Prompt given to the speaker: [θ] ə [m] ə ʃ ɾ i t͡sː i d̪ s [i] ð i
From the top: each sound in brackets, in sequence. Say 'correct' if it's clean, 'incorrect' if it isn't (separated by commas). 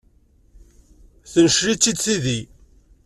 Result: correct, incorrect, correct